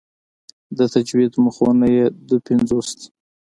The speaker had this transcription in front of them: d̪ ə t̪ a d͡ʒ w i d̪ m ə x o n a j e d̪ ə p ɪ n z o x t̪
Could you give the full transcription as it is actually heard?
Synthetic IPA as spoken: d̪ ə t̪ a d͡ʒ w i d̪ m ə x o n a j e d̪ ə p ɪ n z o s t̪

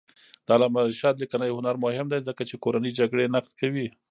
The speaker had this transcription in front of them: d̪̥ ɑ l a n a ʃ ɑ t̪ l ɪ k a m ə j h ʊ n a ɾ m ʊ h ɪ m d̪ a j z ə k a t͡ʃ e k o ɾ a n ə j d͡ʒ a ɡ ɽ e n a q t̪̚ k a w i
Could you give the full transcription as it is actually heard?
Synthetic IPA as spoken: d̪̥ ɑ l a m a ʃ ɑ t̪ l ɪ k a n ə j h ʊ n a ɾ m ʊ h ɪ m d̪ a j z ə k a t͡ʃ e k o ɾ a n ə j d͡ʒ a ɡ ɽ e n a q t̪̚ k a w i

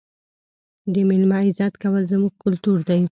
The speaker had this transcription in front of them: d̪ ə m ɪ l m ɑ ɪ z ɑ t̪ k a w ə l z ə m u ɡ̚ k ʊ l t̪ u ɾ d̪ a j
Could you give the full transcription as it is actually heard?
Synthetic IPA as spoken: d̪ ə m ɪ l m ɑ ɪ z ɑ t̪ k a w ə l z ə m u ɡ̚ k ʊ l t̪ u ɾ d̪ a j

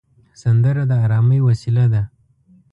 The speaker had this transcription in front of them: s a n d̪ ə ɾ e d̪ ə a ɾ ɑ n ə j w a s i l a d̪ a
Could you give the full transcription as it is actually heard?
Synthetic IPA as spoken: s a n d̪ ə ɾ a d̪ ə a ɾ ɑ m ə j w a s i l a d̪ a

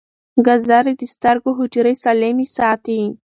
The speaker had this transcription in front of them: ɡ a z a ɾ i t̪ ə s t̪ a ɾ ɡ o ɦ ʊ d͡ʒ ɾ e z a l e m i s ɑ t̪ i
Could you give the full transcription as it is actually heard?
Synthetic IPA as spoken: ɡ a z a ɾ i d̪ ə s t̪ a ɾ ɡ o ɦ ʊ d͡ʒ ɾ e s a l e m i s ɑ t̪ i

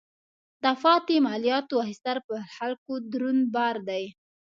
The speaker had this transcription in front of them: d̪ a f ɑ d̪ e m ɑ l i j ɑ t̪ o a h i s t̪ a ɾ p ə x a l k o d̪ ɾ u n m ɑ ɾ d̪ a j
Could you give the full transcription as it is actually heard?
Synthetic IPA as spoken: d̪ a f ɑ t̪ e m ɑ l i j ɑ t̪ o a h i s t̪ a ɾ p ə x a l k o d̪ ɾ u n b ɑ ɾ d̪ a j

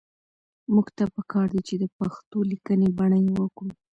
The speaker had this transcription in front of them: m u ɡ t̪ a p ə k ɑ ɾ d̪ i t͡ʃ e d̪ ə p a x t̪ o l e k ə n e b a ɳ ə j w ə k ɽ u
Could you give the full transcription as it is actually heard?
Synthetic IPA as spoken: m u ɡ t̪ a p ə k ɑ ɾ d̪ i t͡ʃ e d̪ ə p a x t̪ o l i k ə n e b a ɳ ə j w ə k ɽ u

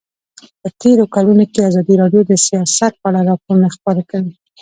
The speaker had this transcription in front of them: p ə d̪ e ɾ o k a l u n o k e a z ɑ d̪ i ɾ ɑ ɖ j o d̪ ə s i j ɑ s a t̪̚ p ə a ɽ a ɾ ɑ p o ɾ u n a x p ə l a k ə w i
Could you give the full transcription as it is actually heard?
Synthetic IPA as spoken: p ə t̪ e ɾ o k a l u n o k e a z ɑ d̪ i ɾ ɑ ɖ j o d̪ ə s i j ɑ s a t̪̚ p ə a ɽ a ɾ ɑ p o ɾ u n a x p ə ɾ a k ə w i

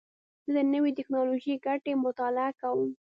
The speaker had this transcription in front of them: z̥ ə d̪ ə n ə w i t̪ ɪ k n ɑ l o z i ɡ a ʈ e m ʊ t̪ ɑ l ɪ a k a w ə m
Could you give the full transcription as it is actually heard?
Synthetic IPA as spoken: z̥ ə d̪ ə n ə w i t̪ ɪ k n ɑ l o ʒ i ɡ a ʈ e m ʊ t̪ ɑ l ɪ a k a w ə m

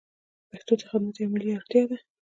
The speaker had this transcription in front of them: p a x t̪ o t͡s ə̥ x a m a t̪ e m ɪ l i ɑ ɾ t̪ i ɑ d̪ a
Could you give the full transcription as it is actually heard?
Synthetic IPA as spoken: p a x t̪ o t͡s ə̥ x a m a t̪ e m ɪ l i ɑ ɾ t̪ j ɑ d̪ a

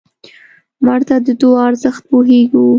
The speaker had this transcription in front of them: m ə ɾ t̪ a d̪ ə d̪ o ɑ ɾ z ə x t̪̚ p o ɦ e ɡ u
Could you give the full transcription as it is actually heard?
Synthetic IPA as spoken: m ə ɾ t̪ a d̪ ə d̪ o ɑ ɾ z ə x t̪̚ p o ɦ e ɡ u

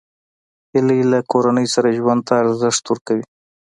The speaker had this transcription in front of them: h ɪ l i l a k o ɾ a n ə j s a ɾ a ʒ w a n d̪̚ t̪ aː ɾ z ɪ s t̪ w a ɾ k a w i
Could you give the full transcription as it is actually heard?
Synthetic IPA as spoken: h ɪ l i l a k o ɾ a n ə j s a ɾ a ʒ w a n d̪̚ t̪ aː ɾ z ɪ ʂ t̪ w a ɾ k a w i

